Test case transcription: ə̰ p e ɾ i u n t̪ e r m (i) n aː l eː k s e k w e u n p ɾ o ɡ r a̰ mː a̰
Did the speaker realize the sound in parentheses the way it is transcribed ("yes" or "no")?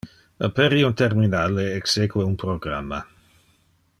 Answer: yes